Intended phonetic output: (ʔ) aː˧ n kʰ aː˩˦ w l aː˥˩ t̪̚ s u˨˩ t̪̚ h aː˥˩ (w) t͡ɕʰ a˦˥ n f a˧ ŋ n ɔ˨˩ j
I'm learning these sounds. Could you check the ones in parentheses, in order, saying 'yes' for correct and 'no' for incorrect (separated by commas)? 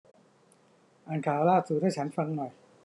yes, no